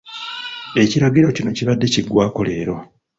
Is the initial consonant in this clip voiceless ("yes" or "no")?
yes